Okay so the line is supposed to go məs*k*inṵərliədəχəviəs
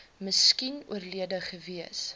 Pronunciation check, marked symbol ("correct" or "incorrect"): correct